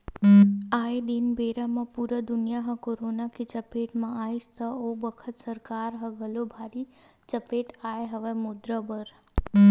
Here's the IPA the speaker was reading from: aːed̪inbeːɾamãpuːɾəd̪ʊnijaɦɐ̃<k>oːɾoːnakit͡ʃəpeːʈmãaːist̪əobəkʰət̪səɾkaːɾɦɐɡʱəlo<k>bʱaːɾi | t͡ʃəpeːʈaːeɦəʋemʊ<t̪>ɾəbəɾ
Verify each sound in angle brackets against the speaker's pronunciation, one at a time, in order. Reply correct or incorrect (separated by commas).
correct, incorrect, incorrect